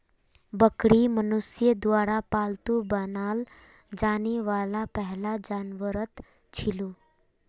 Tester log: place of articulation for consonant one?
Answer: labial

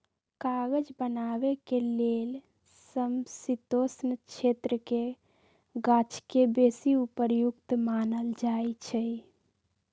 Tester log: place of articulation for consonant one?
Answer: velar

